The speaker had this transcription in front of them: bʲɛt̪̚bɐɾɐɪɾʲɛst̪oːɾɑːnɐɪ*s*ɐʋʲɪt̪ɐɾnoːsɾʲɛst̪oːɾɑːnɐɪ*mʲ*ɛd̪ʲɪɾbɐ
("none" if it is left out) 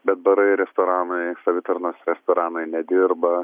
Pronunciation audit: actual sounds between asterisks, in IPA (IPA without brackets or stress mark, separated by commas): s, nʲ